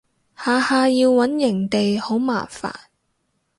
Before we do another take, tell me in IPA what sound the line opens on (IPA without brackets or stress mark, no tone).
h